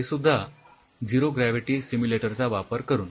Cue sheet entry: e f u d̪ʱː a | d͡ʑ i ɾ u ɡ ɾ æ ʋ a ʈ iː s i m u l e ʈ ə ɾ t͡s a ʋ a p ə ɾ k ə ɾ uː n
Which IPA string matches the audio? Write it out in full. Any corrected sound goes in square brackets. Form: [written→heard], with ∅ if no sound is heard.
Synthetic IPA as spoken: e [f→s] u d̪ʱː a | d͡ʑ i ɾ [u→o] ɡ ɾ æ ʋ [a→i] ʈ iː s i m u l e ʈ ə ɾ t͡s a ʋ a p ə ɾ k ə ɾ uː n